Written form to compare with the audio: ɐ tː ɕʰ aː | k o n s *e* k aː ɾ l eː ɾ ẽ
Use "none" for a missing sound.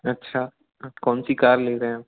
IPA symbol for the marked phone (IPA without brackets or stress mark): i